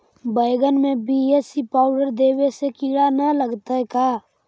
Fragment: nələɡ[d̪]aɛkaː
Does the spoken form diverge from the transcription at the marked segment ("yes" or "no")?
yes